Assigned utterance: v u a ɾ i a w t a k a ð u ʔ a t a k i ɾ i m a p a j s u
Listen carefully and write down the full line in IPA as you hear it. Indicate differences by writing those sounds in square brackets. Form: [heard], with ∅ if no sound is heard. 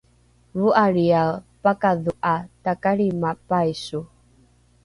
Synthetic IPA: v u a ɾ i a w [p] a k a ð u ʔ a t a k [a] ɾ i m a p a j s u